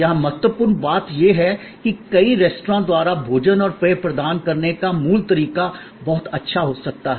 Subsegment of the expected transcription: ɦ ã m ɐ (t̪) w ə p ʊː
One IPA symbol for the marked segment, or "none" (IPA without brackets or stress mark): t̪